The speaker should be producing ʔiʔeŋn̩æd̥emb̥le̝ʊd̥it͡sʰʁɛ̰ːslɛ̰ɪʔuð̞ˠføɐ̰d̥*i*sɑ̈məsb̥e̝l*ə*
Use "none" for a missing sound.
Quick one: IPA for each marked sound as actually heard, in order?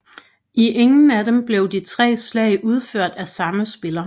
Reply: æ, ɐ

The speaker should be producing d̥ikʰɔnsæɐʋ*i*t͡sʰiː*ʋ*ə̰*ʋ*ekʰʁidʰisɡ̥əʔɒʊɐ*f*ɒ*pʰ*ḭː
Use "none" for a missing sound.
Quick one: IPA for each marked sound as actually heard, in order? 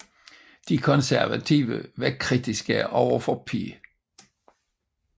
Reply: æ, ʋ, ʋ, f, pʰ

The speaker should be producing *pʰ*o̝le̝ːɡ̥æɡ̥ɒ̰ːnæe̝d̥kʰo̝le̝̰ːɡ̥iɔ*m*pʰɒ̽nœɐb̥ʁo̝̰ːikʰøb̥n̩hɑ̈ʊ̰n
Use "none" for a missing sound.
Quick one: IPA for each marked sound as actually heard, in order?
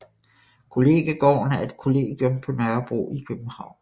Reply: kʰ, m

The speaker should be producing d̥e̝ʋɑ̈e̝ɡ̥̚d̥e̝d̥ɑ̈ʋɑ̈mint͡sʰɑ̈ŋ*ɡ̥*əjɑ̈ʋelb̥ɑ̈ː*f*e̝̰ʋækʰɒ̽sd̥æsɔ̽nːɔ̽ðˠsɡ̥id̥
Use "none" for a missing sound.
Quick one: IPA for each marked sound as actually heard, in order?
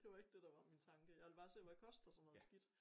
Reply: ɡ̥, s

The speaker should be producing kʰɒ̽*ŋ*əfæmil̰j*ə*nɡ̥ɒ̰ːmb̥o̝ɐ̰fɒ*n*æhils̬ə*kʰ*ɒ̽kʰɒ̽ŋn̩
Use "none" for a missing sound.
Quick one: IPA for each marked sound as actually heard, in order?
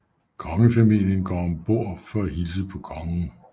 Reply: ŋ, ə, none, pʰ

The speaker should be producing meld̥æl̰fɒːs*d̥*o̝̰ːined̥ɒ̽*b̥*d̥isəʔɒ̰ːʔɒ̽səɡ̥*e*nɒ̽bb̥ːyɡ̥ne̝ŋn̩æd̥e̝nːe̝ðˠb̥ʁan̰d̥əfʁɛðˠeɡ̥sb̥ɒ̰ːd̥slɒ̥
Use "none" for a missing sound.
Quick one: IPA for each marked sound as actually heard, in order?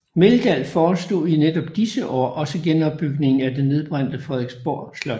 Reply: d̥, b̥, e

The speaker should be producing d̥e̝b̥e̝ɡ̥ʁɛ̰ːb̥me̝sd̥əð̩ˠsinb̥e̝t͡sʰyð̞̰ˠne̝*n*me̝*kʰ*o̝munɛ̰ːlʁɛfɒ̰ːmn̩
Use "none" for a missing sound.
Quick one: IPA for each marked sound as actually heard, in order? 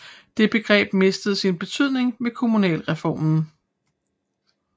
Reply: ŋ, kʰ

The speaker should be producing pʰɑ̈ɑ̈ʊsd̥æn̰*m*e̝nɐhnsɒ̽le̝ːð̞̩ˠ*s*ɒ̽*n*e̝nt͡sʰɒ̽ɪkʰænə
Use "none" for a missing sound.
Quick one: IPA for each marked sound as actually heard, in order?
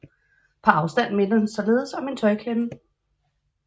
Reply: m, s, m

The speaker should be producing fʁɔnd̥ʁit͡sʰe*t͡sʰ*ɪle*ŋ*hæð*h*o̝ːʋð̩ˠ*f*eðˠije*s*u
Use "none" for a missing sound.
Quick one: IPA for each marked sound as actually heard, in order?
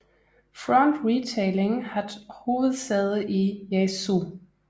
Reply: none, ŋ, h, s, s

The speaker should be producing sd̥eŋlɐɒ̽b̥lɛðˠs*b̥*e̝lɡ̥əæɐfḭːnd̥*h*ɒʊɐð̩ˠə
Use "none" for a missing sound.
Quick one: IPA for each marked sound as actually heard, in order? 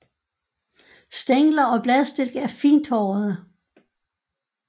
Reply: d̥, h

